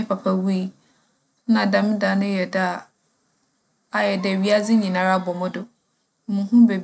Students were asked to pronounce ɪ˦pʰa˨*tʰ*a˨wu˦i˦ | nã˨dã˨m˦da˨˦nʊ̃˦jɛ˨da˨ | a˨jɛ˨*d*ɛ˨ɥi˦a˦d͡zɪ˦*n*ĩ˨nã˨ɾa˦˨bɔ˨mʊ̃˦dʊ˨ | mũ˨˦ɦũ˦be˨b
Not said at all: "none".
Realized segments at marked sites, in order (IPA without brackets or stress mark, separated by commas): pʰ, d, ɲ